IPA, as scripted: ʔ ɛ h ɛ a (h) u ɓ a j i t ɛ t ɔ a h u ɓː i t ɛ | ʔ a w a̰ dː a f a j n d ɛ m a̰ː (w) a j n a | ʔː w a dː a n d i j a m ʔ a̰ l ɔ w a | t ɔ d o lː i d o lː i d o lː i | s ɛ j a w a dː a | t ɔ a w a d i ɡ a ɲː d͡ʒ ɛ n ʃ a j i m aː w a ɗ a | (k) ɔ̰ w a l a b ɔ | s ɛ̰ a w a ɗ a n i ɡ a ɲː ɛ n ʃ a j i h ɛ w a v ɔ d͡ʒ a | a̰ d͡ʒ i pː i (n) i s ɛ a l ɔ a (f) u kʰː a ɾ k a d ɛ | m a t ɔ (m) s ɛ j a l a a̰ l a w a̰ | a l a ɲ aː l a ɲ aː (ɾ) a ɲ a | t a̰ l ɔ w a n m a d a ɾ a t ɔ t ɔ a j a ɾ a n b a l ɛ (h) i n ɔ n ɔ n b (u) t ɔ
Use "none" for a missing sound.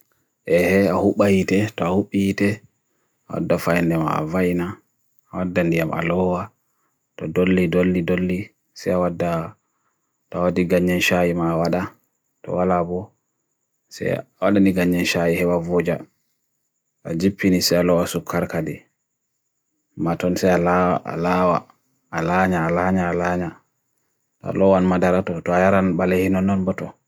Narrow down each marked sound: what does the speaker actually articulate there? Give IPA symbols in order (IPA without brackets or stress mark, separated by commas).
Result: h, v, t, n, s, n, l, h, ɔ